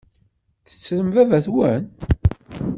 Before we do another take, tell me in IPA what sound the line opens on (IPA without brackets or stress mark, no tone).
θ